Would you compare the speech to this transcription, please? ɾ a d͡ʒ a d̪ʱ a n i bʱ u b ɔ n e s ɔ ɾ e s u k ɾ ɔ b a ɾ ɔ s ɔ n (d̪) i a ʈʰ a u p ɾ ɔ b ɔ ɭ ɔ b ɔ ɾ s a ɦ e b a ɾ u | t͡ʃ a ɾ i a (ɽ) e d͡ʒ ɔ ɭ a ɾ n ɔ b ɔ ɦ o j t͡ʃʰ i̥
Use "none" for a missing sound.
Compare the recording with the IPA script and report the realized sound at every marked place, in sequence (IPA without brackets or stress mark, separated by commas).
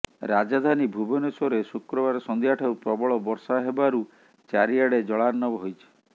d̪, ɽ